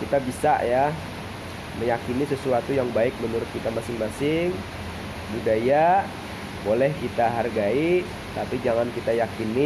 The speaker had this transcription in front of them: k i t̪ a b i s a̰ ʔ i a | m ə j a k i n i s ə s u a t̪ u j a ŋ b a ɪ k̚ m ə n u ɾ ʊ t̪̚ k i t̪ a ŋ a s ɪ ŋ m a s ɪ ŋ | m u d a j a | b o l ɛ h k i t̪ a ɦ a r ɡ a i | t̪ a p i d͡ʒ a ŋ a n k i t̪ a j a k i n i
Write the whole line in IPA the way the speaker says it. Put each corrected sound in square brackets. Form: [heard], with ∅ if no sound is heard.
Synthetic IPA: k i t̪ a b i s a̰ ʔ [j] a | m ə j a k i n i s ə s u a t̪ u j a ŋ b a ɪ k̚ m ə n u ɾ ʊ t̪̚ k i t̪ a [m] a s ɪ ŋ m a s ɪ ŋ | [b] u d a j a | b o l ɛ h k i t̪ a ɦ a r ɡ a i | t̪ a p i d͡ʒ a ŋ a n k i t̪ a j a k i n i